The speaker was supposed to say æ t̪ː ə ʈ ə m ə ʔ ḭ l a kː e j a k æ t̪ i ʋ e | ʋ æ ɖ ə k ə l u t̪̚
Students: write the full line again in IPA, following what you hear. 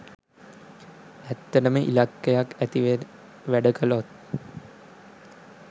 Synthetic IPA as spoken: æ t̪ː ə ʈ ə m ə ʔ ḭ l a kː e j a k æ t̪ i ʋ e | ʋ æ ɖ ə k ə l o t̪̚